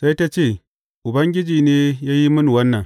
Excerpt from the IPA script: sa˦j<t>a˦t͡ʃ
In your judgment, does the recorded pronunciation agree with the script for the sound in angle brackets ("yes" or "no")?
yes